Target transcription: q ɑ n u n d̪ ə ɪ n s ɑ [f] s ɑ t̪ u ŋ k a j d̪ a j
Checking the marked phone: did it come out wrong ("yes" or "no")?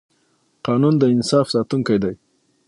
no